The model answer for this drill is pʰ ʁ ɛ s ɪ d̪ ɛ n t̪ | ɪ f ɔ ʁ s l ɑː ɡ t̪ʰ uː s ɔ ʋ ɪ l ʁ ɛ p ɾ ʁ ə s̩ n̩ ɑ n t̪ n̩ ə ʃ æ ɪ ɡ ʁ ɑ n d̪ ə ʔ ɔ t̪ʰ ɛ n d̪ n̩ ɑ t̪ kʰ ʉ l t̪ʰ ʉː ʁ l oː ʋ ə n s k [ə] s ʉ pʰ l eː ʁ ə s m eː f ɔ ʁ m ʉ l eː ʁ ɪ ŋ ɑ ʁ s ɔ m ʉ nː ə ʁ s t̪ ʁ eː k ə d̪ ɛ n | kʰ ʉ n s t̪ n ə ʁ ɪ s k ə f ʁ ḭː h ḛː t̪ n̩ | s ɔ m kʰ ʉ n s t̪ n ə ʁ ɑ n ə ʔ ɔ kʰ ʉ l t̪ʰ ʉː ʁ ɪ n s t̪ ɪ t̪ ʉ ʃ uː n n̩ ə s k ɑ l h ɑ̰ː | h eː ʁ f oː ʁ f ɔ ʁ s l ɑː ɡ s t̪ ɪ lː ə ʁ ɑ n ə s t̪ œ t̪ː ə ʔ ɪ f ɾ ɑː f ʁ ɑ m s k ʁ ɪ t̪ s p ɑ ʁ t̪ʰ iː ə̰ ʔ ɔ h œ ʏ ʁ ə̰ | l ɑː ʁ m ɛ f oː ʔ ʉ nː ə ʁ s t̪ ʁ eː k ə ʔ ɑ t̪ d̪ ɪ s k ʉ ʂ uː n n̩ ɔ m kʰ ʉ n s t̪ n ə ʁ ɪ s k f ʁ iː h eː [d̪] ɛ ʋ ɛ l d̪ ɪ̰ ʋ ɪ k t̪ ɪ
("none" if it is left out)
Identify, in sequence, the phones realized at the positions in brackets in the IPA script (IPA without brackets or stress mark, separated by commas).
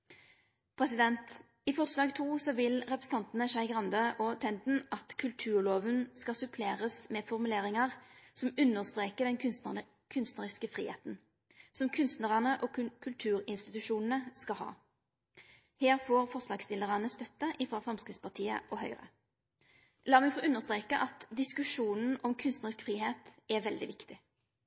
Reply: ɑ, t̪